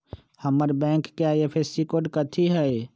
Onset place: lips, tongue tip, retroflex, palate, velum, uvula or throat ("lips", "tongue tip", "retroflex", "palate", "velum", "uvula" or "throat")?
throat